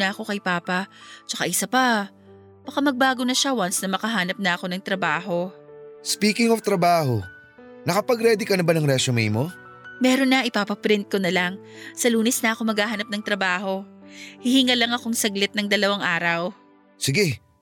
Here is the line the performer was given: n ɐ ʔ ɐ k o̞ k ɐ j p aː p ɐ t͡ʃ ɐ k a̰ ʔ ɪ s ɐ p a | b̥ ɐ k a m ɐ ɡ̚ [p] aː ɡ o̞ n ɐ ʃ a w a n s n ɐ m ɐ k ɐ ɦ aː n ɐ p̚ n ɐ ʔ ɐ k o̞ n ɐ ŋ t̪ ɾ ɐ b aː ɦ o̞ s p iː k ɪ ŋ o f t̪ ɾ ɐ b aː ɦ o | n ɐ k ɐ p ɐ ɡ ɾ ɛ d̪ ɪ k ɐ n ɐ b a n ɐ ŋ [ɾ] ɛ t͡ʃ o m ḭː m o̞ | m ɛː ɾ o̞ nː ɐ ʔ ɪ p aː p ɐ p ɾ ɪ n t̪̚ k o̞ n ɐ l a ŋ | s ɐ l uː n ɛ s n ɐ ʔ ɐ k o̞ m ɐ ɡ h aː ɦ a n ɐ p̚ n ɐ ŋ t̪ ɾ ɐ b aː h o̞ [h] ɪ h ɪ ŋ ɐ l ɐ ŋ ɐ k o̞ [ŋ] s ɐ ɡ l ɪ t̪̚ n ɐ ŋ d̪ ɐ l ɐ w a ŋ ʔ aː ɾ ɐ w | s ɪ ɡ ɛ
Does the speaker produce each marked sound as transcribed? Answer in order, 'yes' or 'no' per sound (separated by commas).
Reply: no, yes, yes, yes